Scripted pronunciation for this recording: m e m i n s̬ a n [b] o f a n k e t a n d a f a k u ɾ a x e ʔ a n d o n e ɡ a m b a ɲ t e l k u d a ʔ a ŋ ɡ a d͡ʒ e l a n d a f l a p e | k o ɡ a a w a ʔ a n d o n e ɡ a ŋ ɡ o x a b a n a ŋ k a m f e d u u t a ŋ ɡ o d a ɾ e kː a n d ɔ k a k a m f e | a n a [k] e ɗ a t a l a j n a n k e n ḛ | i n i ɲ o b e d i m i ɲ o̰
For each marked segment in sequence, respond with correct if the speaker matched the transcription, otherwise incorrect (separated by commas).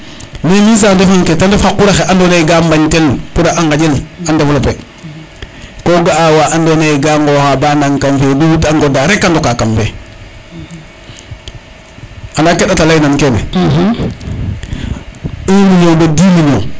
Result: incorrect, correct